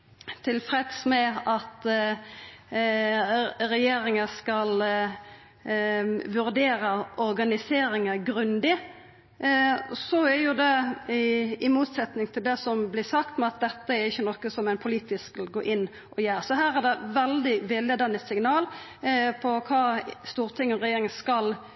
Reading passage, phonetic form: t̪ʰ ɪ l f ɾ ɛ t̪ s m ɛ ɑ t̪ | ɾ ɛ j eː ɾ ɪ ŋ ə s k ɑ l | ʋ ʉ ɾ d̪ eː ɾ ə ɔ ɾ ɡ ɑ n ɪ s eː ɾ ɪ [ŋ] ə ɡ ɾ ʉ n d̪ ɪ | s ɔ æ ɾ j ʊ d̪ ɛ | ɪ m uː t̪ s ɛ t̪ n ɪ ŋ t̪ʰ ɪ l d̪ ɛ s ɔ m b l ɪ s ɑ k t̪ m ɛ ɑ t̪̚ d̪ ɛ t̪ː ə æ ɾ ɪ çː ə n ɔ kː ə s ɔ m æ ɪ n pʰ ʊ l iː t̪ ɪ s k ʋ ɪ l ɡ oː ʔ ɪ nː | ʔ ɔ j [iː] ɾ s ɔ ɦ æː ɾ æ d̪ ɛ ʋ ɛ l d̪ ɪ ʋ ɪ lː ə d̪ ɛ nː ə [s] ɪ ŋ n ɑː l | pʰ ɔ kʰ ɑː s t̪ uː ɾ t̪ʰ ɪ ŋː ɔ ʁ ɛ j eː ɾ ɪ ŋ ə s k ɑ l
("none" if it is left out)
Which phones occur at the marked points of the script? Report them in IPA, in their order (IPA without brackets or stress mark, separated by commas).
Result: ŋ, æː, s